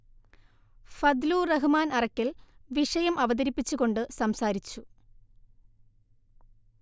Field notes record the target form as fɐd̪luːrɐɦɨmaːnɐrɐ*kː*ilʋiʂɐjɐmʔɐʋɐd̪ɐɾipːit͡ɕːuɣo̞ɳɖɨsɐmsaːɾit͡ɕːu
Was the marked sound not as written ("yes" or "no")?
no